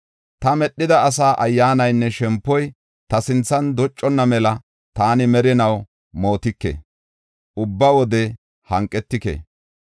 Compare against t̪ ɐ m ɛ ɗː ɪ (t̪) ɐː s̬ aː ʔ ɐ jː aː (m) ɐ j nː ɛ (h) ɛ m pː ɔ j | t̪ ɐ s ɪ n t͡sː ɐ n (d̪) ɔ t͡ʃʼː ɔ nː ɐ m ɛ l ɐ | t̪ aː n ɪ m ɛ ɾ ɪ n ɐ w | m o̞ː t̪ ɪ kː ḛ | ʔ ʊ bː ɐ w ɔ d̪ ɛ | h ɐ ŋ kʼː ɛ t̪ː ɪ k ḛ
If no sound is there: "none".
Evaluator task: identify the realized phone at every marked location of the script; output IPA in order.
d̪, n, ʃ, d̪

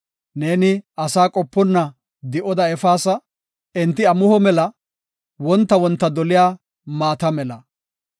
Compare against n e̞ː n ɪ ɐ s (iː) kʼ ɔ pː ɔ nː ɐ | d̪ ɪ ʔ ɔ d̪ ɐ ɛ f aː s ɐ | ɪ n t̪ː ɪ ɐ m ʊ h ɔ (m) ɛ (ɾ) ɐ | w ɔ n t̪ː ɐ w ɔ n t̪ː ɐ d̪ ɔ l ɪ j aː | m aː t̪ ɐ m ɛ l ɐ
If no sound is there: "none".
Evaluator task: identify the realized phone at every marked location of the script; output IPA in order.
aː, m, l

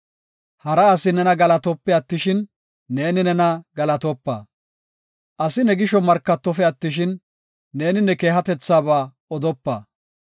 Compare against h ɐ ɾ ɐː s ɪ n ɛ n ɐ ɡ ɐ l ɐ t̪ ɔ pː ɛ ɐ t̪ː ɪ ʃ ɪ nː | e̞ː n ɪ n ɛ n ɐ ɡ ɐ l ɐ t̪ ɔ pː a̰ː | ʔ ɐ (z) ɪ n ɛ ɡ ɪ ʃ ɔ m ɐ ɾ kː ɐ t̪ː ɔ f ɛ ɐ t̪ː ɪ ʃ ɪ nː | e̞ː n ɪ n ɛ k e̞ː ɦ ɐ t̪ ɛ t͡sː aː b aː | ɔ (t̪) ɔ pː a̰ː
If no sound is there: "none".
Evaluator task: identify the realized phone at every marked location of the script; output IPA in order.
s, d̪

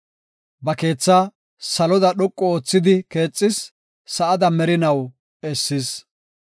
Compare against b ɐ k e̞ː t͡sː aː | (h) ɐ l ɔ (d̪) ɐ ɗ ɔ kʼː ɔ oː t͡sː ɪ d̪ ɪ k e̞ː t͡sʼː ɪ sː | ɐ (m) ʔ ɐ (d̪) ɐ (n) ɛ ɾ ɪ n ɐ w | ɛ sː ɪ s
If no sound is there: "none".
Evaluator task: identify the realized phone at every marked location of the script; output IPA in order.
s, d̪, none, d̪, m

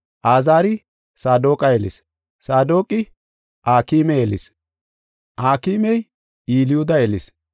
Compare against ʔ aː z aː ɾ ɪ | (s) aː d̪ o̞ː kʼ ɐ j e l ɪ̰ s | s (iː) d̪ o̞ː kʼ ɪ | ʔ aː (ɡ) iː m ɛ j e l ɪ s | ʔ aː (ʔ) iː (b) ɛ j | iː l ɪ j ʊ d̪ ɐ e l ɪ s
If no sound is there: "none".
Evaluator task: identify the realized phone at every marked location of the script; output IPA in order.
s, aː, k, k, m

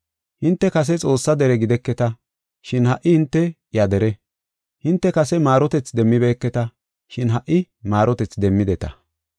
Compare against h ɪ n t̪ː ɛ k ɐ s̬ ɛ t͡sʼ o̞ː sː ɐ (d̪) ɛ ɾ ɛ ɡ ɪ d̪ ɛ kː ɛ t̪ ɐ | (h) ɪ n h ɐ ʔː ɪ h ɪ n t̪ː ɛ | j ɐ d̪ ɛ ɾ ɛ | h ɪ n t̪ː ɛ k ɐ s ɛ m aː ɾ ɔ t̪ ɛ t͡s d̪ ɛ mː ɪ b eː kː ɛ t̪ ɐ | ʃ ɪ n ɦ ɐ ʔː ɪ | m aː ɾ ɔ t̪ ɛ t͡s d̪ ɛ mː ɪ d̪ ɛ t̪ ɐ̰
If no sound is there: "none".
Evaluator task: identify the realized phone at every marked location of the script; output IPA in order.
d̪, ʃ

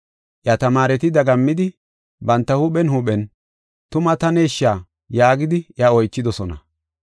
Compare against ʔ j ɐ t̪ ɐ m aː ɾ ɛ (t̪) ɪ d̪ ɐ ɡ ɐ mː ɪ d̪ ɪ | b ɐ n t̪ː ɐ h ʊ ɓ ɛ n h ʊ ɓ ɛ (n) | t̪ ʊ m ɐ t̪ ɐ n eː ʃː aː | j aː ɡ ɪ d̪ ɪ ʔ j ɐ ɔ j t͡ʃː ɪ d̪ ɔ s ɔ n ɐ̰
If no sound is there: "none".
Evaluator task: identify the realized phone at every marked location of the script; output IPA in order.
t̪, n

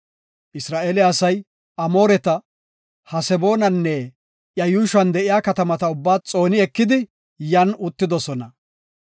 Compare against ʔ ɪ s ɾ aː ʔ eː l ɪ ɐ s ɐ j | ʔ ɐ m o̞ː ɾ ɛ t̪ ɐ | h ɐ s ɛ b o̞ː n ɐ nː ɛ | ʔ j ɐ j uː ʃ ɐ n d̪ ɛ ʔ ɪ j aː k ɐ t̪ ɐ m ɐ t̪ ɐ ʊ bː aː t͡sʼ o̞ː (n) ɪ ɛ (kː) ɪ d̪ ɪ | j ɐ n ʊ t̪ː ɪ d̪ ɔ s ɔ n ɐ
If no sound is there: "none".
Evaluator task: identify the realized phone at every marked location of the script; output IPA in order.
n, kː

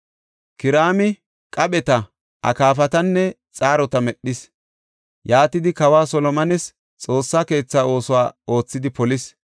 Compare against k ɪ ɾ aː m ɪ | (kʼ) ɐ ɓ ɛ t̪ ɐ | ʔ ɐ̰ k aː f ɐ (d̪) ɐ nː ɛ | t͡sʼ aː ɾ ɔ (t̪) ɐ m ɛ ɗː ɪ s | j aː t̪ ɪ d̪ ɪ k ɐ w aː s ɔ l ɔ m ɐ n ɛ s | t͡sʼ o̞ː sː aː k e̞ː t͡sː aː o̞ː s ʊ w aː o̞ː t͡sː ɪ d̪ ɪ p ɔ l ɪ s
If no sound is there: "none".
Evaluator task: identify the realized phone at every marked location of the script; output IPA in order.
kʼ, t̪, t̪

